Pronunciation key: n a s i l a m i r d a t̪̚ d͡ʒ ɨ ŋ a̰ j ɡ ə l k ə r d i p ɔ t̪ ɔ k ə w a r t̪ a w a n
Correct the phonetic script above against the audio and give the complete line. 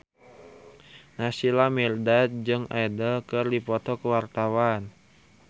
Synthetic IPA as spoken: n a s i l a m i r d a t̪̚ d͡ʒ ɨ ŋ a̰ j d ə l k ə r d i p ɔ t̪ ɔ k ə w a r t̪ a w a n